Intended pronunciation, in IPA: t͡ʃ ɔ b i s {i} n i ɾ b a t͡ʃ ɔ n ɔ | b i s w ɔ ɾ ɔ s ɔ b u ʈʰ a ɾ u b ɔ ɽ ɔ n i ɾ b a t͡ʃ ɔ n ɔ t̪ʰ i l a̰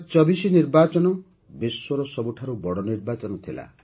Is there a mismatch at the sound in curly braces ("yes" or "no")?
no